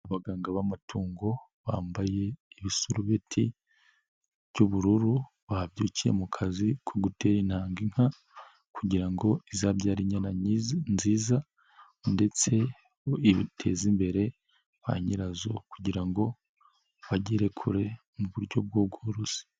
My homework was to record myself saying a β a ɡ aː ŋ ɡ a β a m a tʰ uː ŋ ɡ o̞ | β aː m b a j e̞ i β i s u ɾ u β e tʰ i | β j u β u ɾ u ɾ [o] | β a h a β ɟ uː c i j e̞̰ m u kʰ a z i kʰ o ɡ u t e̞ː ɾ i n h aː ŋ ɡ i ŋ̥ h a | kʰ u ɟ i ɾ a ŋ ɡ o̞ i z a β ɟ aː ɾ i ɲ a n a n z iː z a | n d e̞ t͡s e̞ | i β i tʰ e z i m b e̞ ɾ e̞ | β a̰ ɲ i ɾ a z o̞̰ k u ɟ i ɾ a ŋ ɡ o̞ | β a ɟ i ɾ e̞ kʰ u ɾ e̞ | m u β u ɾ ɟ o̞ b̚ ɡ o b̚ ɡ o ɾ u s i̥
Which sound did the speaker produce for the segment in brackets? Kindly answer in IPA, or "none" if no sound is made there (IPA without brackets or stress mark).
u